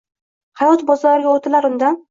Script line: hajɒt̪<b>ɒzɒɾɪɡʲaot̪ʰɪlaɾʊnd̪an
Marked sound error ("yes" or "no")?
no